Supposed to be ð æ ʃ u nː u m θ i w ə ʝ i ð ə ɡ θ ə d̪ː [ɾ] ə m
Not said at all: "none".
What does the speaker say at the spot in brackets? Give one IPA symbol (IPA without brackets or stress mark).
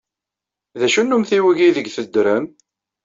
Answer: ɾ